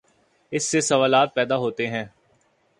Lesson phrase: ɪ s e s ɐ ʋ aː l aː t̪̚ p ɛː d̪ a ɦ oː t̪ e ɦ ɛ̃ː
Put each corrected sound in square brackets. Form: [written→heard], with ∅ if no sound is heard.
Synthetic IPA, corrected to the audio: ɪ [s→sː] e s ɐ ʋ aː l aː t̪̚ p ɛː d̪ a ɦ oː t̪ e ɦ ɛ̃ː

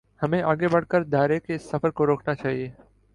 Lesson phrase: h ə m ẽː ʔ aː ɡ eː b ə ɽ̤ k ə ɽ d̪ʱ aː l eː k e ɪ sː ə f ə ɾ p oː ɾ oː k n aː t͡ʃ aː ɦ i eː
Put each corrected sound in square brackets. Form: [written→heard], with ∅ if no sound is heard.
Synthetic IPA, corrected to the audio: h ə m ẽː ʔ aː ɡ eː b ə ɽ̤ k ə [ɽ→ɾ] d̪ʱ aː [l→ɾ] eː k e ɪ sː ə f ə ɾ [p→k] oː ɾ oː k n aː t͡ʃ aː ɦ i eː

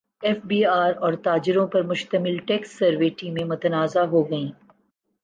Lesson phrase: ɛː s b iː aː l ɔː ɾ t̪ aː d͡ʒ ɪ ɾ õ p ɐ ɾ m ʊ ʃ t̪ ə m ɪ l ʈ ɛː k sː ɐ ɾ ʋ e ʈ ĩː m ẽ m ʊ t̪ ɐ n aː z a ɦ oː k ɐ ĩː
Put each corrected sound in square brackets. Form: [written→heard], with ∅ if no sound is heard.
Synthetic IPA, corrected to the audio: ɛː [s→f] b iː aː [l→ɾ] ɔː ɾ t̪ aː d͡ʒ ɪ ɾ õ p ɐ ɾ m ʊ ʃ t̪ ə m ɪ l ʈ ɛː k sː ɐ ɾ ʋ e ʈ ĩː m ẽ m ʊ t̪ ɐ n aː z a ɦ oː [k→ɡ] ɐ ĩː

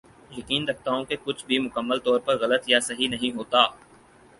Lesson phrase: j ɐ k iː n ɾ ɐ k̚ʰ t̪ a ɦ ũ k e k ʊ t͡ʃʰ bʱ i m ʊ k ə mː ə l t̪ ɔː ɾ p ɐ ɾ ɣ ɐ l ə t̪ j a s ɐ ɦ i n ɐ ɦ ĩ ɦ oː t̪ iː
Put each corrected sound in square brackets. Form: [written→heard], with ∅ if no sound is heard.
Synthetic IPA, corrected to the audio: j ɐ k iː n ɾ ɐ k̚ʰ t̪ a ɦ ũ k e k ʊ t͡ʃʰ bʱ i m ʊ k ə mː ə l t̪ ɔː ɾ p ɐ ɾ ɣ ɐ l ə t̪ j a s ɐ ɦ i n ɐ ɦ ĩ ɦ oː t̪ [iː→aː]

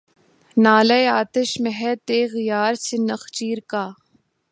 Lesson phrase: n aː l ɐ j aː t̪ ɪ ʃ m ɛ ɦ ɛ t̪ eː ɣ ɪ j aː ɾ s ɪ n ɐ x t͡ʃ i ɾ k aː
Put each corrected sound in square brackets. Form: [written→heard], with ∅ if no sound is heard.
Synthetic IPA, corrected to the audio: n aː l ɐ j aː t̪ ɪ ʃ m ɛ ɦ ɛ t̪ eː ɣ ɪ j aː ɾ s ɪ n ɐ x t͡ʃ [i→iː] ɾ k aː

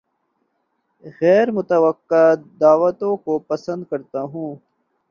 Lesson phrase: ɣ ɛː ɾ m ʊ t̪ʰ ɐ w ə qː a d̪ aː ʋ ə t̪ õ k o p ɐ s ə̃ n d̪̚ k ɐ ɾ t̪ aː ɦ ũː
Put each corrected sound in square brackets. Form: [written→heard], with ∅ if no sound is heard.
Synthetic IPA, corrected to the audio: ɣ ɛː ɾ m ʊ [t̪ʰ→t̪] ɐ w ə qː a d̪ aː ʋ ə t̪ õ k o p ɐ s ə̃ n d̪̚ k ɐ ɾ t̪ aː ɦ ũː

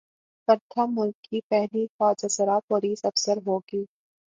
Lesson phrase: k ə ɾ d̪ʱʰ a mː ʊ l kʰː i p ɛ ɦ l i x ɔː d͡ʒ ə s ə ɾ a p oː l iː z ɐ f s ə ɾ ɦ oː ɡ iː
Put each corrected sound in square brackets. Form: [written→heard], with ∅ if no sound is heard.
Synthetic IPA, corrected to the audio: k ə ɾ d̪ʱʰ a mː ʊ l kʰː i p ɛ ɦ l i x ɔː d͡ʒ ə s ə ɾ a p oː l iː [z→s] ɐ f s ə ɾ ɦ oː ɡ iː

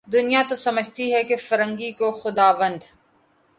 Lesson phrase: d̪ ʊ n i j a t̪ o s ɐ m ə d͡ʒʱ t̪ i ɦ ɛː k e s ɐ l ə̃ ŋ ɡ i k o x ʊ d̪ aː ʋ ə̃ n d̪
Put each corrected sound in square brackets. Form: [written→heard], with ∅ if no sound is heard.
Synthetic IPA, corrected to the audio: d̪ ʊ n i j a t̪ o s ɐ m ə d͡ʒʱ t̪ i ɦ [ɛː→ɛ] k e [s→f] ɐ [l→ɾ] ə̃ ŋ ɡ i k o x ʊ d̪ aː ʋ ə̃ n d̪

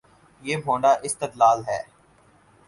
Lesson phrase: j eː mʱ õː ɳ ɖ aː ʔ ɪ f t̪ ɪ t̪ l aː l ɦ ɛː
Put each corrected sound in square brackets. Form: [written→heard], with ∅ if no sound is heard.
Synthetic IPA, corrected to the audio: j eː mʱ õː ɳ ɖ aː ʔ ɪ [f→s] t̪ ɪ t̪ l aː l ɦ ɛː

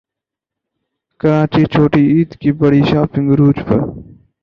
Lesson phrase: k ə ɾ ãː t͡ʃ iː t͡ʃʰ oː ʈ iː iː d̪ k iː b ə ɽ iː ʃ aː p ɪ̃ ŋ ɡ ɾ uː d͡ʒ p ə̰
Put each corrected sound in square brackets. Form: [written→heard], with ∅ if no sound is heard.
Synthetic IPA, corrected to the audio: k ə ɾ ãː t͡ʃ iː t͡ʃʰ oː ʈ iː iː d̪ k iː b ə ɽ iː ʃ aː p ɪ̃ ŋ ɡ ɾ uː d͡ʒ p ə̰

